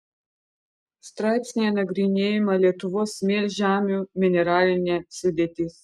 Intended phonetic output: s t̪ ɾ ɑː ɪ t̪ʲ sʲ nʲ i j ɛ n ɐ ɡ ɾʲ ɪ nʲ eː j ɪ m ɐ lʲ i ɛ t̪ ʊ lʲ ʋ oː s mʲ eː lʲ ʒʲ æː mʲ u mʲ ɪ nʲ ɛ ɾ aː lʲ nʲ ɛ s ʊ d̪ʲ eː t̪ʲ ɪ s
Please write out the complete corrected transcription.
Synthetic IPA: s t̪ ɾ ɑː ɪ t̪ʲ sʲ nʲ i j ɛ n ɐ ɡ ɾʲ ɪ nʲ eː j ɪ m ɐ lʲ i ɛ t̪ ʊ ʋ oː s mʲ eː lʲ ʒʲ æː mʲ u mʲ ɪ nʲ ɛ ɾ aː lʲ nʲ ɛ s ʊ d̪ʲ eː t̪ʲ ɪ s